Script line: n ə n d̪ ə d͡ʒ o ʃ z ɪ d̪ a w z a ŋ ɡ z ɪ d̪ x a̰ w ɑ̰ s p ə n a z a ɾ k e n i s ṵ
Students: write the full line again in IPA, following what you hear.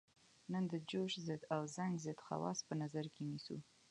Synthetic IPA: n ə n d̪ ə d͡ʒ o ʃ z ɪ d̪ a w z a ŋ ɡ z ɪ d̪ x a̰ w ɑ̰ s p ə n a z a ɾ k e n i s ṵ